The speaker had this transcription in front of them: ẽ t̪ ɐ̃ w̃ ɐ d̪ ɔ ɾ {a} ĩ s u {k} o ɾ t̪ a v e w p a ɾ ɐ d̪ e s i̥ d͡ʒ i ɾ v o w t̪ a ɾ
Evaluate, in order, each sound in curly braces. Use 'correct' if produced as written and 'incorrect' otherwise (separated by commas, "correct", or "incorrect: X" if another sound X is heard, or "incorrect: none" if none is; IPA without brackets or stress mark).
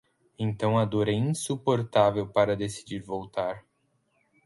incorrect: ɛ, incorrect: p